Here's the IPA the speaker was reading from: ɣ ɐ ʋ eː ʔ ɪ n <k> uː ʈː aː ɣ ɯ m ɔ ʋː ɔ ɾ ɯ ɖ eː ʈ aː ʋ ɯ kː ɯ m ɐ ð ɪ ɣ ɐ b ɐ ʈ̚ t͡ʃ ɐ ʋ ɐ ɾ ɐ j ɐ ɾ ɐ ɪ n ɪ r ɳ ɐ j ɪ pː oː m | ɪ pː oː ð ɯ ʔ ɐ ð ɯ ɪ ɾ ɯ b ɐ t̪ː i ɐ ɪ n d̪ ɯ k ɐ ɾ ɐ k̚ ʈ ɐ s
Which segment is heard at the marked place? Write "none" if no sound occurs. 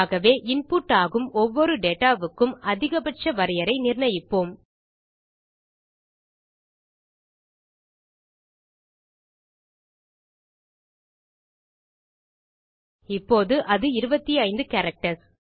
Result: p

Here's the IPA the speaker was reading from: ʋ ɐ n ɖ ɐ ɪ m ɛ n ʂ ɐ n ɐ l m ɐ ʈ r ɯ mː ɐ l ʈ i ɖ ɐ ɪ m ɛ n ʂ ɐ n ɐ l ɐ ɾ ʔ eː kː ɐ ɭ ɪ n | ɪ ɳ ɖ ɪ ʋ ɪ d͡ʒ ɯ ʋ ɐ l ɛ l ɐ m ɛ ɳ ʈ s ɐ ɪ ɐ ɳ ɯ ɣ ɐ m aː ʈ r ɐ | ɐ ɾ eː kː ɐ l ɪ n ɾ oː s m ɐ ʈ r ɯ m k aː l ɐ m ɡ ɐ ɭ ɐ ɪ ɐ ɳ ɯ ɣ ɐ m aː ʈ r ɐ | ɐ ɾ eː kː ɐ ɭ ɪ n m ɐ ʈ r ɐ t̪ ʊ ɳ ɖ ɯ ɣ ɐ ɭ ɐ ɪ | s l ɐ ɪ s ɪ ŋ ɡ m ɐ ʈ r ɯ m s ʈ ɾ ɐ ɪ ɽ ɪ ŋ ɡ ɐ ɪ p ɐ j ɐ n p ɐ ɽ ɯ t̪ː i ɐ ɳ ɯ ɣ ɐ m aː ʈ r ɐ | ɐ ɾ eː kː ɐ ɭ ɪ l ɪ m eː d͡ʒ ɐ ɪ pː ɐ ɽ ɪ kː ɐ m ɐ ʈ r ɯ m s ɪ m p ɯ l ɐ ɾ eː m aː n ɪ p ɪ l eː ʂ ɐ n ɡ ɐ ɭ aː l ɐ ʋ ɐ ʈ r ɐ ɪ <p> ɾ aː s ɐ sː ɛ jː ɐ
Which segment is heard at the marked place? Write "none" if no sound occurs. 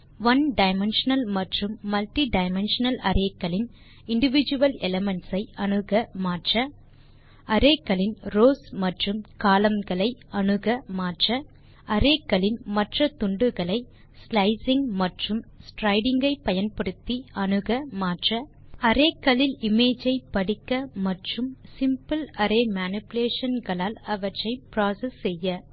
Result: p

